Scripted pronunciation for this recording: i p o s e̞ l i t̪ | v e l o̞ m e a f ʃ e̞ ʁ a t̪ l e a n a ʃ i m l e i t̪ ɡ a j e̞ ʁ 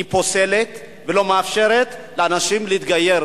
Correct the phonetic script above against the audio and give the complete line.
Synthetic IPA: i p o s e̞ l e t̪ | v e l o̞ m e a f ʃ e̞ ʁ e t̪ l e a n a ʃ i m l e i t̪ ɡ a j e̞ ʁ

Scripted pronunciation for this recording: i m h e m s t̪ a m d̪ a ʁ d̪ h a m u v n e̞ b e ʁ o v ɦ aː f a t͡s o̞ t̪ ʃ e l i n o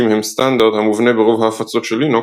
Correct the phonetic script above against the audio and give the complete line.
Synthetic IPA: i m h e m s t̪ a n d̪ a ʁ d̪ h a m u v n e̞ b e ʁ o v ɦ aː f a t͡s o̞ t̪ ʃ e l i n o

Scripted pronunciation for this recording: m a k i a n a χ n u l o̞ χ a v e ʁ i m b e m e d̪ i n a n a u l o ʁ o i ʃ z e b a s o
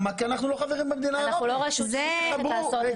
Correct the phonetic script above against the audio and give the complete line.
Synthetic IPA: m a k i a n a χ n u l o̞ χ a v e ʁ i m b e m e d̪ i n a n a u l o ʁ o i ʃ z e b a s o

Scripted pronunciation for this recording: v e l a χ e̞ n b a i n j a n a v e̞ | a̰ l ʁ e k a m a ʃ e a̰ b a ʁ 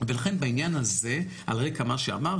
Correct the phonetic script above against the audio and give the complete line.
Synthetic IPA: v e l a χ e̞ n b a i n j a n a z e̞ | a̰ l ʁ e k a m a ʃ e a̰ m a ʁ

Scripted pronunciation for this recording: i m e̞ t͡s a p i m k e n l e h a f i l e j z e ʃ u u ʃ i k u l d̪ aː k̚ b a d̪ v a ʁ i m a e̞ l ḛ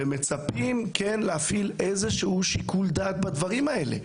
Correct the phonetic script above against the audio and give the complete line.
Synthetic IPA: e m e̞ t͡s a p i m k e n l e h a f i l e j z e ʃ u u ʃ i k u l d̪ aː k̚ b a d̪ v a ʁ i m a e̞ l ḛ

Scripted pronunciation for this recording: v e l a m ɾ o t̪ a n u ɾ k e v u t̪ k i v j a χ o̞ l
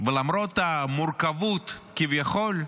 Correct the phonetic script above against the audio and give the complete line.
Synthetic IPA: v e l a m ɾ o t̪ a m u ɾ k a v u t̪ k i v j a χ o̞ l

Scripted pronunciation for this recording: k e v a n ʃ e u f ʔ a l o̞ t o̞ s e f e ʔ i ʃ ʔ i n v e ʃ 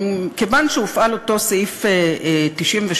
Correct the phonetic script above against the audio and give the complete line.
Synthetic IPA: k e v a n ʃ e u f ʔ a l o̞ t o̞ s i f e t i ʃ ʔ i m v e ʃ

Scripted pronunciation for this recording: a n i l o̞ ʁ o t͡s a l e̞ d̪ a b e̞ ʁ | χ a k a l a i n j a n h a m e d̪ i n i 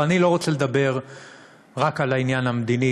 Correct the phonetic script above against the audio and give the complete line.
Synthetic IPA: a n i l o̞ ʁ o t͡s e l e̞ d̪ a b e̞ ʁ | ʁ a k a l a i n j a n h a m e d̪ i n i

